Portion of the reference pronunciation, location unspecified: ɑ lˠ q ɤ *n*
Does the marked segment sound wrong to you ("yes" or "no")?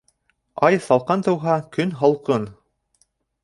no